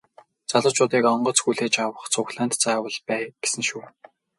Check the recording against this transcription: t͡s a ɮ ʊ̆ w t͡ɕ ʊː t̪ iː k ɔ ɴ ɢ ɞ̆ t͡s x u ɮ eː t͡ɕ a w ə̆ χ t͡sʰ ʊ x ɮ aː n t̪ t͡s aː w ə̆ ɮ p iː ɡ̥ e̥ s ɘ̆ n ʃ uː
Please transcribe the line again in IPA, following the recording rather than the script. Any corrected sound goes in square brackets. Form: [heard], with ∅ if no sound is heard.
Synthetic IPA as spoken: t͡s a ɮ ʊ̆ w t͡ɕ ʊː t̪ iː k ɔ ɴ ɢ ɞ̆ t͡s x u ɮ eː t͡ɕ a w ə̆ χ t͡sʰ ʊ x ɮ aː n t̪ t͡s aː w ə̆ ɮ p [æː] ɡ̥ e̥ s ɘ̆ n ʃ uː